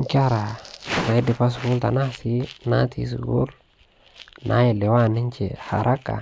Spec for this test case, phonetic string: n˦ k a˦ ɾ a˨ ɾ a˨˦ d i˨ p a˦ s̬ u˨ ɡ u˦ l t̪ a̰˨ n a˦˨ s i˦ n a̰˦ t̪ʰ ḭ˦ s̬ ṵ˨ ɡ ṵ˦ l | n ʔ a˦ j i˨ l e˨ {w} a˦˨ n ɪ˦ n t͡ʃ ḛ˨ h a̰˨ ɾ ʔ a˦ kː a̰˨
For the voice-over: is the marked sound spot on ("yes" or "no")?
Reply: yes